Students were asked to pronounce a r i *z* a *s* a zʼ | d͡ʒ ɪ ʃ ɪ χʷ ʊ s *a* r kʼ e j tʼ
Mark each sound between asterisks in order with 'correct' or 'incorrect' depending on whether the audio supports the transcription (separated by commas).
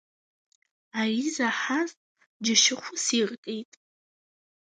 correct, incorrect, incorrect